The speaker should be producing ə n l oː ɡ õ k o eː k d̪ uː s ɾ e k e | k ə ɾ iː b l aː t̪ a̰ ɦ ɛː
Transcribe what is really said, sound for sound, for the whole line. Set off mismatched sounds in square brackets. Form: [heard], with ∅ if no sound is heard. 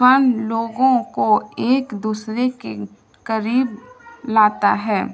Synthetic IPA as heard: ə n l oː ɡ õ k o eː k d̪ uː s ɾ e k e | k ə ɾ iː b l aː t̪ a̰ ɦ ɛː